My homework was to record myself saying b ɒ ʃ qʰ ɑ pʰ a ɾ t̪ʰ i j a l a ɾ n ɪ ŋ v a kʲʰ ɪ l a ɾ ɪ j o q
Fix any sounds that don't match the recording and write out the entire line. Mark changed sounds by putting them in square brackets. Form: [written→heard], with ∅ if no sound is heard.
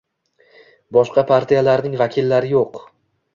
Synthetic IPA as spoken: b ɒ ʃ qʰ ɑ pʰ a ɾ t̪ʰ i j a l a ɾ n ɪ ŋ v a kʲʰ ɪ [l→lː] a ɾ ɪ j o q